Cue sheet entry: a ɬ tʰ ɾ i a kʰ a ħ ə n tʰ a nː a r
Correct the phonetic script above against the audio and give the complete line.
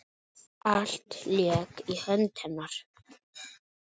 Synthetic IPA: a ɬ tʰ l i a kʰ i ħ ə n tʰ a n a r